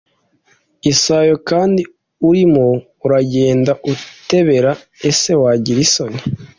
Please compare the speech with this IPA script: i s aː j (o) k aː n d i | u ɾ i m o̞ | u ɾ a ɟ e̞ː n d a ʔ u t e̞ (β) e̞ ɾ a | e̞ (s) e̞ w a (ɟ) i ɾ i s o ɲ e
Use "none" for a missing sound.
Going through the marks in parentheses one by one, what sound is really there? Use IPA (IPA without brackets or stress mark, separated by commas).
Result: o, β, s, ɟ